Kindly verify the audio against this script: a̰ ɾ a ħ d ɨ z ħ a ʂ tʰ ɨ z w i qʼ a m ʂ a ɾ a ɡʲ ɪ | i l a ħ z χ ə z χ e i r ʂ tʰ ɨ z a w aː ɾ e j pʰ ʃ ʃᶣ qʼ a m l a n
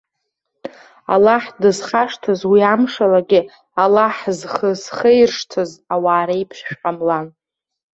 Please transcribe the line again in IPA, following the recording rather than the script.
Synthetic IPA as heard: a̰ l a ħ d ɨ z χ a ʂ tʰ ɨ z w i a m ʂ a l a ɡʲ ɪ | a l a ħ z χ ə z χ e j r ʂ tʰ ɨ z a w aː ɾ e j pʰ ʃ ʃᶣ qʼ a m l a n